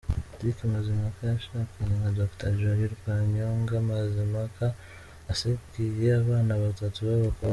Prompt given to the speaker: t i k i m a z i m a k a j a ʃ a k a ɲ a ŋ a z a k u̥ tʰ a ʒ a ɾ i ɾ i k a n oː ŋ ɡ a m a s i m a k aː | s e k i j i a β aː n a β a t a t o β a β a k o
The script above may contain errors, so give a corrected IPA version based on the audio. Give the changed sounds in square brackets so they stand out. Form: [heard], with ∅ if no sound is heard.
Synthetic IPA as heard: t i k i m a z i m a k a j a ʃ a k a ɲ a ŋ a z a k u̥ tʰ a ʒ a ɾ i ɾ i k a [ɲ] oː ŋ ɡ a m a [z] i m a k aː | s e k i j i a β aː n a β a t a t [u] β a β a k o